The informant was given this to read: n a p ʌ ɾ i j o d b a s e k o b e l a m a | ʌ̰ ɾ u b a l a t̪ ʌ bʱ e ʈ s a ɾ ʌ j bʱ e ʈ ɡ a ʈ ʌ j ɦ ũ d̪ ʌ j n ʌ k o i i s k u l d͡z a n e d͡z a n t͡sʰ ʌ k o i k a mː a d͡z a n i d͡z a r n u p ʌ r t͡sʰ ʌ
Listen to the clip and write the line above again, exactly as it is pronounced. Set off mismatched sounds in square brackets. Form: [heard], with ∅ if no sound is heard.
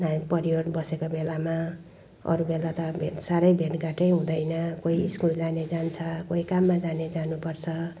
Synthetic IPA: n a p ʌ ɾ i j o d b [ʌ] s e k o b e l a m a | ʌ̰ ɾ u b [e] l a t̪ ʌ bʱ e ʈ s a ɾ ʌ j bʱ e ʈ ɡ a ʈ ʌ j ɦ ũ d̪ ʌ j n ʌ k o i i s k u l d͡z a n e d͡z a n t͡sʰ ʌ k o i k a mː a d͡z a n [e] d͡z a [∅] n u p ʌ r t͡sʰ ʌ